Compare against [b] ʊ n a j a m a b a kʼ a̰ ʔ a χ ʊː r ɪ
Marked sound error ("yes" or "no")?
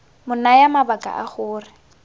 yes